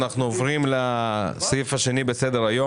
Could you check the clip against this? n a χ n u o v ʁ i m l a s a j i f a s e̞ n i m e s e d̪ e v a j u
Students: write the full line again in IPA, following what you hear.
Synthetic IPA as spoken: n a χ n u o v ʁ i m l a s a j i f a ʃ e̞ n i b e s e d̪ e ʁ a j o

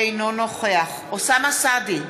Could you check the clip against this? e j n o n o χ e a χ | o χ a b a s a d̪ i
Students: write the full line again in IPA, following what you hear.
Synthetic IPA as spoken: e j n o n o χ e a χ | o s a m a s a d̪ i

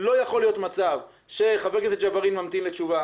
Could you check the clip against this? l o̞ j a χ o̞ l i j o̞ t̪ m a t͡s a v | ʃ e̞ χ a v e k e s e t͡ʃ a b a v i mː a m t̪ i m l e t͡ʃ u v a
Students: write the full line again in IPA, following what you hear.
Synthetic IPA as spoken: l o̞ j a χ o̞ l i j o̞ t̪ m a t͡s a v | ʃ e̞ χ a v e k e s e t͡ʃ a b a ʁ i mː a m t̪ i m l e t͡ʃ u v a

